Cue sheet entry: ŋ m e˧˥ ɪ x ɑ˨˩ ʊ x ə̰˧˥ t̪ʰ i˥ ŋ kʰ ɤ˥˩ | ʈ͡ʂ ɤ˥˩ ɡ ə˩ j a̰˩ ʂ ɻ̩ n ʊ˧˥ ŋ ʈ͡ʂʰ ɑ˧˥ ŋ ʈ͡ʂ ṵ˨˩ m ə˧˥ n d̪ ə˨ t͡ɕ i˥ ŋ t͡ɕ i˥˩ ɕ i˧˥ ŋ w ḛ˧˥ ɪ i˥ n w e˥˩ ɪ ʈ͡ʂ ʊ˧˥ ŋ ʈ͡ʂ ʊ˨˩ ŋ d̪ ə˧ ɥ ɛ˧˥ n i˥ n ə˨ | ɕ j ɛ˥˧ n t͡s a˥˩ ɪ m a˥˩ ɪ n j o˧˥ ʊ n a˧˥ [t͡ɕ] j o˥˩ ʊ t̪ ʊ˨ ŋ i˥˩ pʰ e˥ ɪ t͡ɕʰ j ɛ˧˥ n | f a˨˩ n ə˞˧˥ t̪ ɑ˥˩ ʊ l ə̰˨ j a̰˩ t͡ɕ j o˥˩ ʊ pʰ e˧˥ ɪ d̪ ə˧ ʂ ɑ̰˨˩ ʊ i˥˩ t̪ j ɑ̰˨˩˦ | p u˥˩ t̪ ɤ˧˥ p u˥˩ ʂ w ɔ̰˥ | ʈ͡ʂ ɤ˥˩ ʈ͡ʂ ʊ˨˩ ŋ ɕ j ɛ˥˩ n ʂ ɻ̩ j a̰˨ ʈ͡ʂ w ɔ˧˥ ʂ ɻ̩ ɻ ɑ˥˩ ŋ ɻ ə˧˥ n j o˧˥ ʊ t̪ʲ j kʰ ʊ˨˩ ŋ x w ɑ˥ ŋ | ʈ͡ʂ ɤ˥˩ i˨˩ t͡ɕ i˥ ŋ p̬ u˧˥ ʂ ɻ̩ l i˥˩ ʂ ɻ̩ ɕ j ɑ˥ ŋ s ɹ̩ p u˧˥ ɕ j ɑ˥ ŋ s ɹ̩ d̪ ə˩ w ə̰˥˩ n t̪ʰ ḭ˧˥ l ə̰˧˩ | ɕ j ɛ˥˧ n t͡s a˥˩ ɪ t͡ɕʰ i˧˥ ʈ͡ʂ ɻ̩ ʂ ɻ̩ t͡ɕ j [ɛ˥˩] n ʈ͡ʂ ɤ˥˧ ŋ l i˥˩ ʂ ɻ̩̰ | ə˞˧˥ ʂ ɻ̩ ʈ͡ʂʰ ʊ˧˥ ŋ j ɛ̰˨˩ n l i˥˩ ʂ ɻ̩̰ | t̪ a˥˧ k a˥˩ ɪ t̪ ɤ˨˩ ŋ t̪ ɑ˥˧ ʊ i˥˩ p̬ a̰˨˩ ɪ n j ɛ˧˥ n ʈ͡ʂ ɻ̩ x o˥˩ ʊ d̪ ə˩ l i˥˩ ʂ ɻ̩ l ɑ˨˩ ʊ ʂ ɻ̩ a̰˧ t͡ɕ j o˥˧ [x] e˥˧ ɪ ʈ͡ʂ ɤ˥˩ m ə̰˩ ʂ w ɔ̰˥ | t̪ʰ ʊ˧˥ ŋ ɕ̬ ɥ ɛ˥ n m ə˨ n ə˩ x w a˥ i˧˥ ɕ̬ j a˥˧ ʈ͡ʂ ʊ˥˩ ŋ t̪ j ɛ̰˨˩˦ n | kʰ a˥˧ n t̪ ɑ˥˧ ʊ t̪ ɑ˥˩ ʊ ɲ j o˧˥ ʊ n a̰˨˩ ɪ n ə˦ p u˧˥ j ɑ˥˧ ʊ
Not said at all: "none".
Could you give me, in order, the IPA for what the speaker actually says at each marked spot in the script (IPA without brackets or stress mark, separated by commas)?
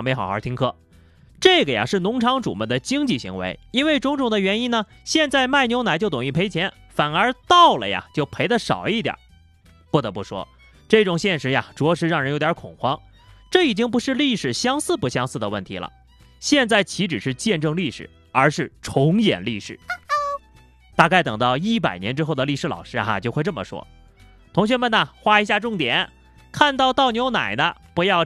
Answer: t͡ɕ, ɛ˥˧, x